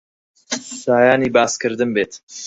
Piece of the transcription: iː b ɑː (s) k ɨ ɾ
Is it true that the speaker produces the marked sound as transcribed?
yes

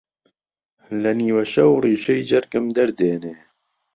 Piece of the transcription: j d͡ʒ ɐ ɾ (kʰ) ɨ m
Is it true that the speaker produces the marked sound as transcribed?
no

